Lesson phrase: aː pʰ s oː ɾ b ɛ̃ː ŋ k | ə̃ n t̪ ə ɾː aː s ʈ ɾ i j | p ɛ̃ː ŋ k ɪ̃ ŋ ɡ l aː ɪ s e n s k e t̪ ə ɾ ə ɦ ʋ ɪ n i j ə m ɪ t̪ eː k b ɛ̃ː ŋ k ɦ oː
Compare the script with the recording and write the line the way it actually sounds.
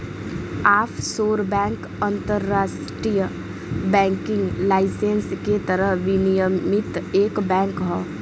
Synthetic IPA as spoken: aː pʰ s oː ɾ b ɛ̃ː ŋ k | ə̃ n t̪ ə ɾː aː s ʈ ɾ i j | b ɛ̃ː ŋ k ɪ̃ ŋ ɡ l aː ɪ s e n s k e t̪ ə ɾ ə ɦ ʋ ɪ n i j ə m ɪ t̪ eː k b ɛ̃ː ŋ k ɦ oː